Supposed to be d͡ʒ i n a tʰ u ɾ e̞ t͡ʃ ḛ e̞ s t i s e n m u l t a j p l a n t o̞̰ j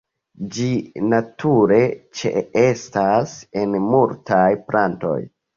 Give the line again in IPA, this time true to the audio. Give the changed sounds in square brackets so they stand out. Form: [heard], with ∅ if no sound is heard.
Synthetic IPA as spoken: d͡ʒ i n a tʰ u ɾ e̞ t͡ʃ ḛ e̞ s t [a] s e n m u l t a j p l a n t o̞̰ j